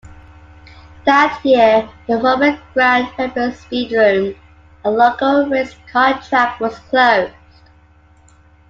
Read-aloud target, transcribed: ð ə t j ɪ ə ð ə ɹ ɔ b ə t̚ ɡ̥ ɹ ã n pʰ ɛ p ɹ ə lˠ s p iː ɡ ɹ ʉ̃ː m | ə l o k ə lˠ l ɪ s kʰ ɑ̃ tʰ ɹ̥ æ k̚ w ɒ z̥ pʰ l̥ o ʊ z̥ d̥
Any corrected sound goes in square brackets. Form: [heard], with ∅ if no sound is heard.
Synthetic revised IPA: ð ə t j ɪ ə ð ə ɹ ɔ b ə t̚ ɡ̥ ɹ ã n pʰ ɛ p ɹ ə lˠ s p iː [d] ɹ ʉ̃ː m | ə l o k ə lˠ [ɹ] ɪ s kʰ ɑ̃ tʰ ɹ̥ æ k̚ w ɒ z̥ [kʰ] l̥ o ʊ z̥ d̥